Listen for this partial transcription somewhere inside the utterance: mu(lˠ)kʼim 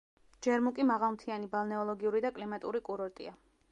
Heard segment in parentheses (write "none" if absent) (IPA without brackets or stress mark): none